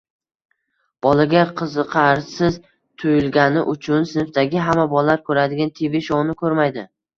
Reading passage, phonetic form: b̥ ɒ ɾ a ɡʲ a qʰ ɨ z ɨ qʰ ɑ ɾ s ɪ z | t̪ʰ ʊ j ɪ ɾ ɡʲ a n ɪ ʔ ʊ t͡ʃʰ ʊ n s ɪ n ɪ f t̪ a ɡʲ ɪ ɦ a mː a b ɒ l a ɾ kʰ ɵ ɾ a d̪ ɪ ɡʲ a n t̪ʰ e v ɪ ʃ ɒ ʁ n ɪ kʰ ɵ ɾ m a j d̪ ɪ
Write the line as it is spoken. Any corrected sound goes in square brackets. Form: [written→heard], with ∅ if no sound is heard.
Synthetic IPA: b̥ ɒ [ɾ→l] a ɡʲ a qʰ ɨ z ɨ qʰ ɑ ɾ s ɪ z | t̪ʰ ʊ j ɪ [ɾ→l] ɡʲ a n ɪ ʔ ʊ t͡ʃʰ ʊ n s ɪ n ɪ f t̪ a ɡʲ ɪ ɦ a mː a b ɒ l a ɾ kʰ ɵ ɾ a d̪ ɪ ɡʲ a n t̪ʰ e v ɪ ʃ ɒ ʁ n ɪ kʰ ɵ ɾ m a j d̪ ɪ